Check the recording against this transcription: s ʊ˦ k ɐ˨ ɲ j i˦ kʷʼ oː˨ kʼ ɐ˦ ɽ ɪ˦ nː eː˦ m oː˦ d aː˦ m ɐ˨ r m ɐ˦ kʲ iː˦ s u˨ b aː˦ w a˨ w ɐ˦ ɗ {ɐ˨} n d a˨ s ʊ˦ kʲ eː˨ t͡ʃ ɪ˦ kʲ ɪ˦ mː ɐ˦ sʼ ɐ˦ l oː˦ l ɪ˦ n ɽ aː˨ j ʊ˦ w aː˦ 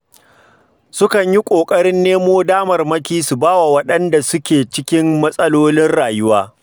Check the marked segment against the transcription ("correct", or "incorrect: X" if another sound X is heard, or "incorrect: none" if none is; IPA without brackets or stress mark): incorrect: ɐ˦